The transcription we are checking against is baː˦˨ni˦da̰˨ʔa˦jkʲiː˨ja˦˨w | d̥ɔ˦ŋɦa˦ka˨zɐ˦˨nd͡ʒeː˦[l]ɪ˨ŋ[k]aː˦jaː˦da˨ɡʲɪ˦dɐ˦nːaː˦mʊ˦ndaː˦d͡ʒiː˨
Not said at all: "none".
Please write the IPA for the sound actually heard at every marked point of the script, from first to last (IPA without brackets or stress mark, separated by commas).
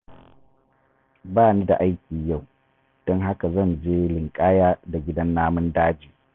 l, kʼ